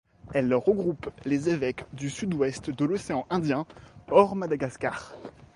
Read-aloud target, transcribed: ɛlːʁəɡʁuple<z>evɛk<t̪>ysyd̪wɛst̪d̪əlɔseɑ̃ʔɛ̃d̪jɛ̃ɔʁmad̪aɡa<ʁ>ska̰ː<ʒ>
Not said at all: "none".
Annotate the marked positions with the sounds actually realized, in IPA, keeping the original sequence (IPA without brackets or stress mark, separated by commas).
z, d̪, none, ʁ